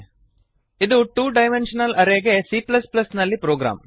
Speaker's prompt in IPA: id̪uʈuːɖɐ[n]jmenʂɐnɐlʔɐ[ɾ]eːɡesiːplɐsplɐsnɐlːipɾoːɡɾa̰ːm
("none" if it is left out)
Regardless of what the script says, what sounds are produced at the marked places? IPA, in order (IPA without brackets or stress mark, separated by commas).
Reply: none, ɾ